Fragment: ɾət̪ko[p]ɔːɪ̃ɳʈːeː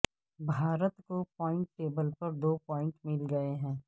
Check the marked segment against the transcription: correct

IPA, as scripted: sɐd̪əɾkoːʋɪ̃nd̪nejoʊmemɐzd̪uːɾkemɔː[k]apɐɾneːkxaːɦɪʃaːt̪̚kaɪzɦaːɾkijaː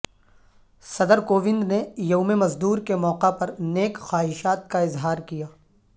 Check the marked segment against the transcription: incorrect: q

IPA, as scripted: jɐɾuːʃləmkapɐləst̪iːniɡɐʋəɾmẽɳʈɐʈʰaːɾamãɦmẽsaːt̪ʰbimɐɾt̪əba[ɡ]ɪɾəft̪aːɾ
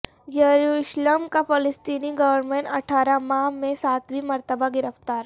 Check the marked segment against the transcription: correct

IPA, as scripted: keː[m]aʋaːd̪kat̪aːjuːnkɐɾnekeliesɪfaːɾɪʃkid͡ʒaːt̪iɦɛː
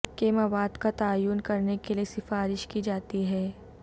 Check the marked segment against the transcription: correct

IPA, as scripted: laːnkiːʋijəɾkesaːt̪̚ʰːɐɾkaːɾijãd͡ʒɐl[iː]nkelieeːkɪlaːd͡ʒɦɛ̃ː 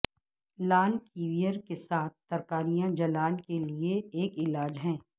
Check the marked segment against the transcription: incorrect: aː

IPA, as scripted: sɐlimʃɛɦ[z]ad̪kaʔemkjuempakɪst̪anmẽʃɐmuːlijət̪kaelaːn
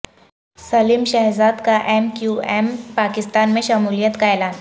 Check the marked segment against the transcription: correct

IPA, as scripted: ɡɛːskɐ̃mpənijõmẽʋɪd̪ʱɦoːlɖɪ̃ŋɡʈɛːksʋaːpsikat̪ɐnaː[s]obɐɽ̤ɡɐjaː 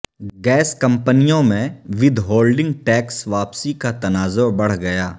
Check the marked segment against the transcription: incorrect: z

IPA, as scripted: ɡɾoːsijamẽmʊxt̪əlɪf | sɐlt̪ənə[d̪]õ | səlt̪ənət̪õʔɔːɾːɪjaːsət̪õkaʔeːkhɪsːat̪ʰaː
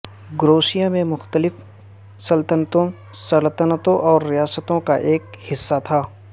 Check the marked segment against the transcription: incorrect: t̪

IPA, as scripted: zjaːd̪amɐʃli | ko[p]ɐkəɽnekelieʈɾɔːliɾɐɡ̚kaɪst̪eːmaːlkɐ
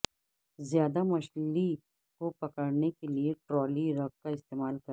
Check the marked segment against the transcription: correct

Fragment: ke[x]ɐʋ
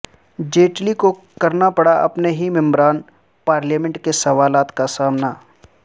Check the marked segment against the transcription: incorrect: s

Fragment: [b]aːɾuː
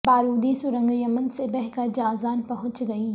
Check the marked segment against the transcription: correct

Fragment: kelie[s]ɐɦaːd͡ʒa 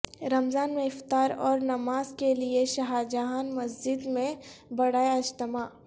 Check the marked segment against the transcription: incorrect: ʃ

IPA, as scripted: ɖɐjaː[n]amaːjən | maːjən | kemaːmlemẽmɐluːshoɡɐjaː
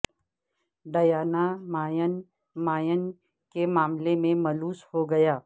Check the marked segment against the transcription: correct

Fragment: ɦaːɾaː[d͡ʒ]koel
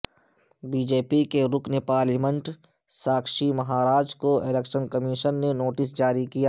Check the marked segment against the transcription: correct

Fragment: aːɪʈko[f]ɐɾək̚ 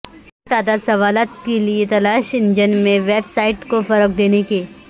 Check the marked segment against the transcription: correct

